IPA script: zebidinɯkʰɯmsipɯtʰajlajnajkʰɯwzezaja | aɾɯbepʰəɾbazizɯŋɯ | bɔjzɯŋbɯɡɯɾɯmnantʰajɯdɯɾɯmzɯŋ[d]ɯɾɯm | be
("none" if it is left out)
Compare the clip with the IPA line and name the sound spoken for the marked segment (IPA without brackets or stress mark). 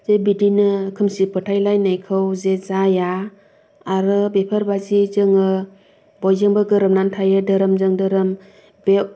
d